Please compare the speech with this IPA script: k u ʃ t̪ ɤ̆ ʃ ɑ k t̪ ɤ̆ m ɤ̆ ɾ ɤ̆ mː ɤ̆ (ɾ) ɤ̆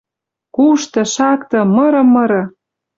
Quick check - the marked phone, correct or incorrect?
correct